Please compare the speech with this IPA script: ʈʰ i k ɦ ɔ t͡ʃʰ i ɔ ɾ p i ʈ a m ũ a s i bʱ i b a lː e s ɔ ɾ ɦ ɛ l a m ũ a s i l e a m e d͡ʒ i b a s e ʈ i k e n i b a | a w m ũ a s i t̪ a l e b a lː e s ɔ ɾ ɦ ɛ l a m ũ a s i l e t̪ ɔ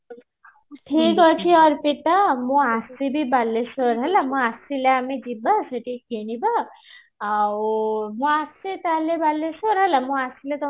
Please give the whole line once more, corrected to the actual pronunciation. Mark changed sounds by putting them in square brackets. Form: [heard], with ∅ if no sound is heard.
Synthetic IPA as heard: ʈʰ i k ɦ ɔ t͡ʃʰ i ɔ ɾ p i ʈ a m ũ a s i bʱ i b a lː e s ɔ ɾ ɦ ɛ l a m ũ a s i l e a m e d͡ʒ i b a s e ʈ i k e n i b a | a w m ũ a s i t̪ a l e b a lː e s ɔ ɾ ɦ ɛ l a m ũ a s i l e t̪ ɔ

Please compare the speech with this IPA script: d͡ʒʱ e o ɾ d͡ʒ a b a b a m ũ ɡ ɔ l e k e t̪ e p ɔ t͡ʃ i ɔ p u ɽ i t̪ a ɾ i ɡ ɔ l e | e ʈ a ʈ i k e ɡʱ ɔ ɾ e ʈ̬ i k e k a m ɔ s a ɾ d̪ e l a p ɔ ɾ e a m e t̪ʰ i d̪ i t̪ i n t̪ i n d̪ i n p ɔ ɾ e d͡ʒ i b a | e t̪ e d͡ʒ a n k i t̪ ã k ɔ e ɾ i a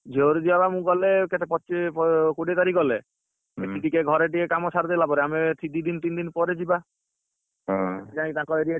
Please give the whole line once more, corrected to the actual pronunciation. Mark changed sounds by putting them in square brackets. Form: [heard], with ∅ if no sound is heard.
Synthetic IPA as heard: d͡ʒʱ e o ɾ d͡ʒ [i] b a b a m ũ ɡ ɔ l e k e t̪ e p ɔ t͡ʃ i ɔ [k] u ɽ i t̪ a ɾ i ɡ ɔ l e | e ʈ [i] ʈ i k e ɡʱ ɔ ɾ e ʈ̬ i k e k a m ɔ s a ɾ d̪ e l a p ɔ ɾ e a m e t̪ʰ i d̪ i [d̪] i n t̪ i n d̪ i n p ɔ ɾ e d͡ʒ i b a | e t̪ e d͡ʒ a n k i t̪ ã k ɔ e ɾ i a

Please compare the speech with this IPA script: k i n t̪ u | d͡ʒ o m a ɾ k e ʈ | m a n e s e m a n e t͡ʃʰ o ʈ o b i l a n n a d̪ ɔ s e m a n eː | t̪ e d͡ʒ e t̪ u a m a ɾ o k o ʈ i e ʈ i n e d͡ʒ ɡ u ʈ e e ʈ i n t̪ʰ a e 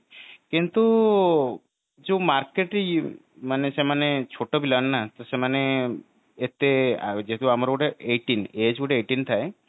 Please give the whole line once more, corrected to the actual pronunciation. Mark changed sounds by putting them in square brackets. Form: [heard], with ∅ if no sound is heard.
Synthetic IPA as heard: k i n t̪ u | d͡ʒ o m a ɾ k e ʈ | m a n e s e m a n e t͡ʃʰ o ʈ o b i l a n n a [t̪] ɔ s e m a n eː | t̪ e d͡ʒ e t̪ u a m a ɾ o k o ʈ [e] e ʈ i n e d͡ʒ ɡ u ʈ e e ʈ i n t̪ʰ a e

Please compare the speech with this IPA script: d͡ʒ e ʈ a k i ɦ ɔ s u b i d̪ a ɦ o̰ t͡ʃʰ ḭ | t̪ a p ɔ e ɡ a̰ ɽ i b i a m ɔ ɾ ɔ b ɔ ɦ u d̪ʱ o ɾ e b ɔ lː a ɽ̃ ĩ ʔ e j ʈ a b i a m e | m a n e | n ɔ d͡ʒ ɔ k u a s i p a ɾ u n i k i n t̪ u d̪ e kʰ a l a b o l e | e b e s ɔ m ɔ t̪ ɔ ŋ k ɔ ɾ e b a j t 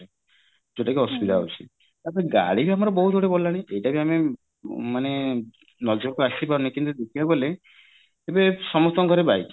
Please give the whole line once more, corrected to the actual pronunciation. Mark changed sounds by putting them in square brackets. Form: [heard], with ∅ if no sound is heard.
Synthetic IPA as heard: d͡ʒ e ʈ a k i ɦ ɔ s u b i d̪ a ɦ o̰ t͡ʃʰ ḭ | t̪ a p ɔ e ɡ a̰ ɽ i b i a m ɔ ɾ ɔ b ɔ ɦ u d̪ʱ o [ɽ] e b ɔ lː a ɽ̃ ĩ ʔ e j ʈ a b i a m e | m a n e | n ɔ d͡ʒ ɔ k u a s i p a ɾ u n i k i n t̪ u d̪ e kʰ [i] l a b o l e | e b e s ɔ m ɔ t̪ ɔ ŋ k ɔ ɾ e b a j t

